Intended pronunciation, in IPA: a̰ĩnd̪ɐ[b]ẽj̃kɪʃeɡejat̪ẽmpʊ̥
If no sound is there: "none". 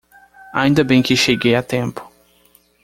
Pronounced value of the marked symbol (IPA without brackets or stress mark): b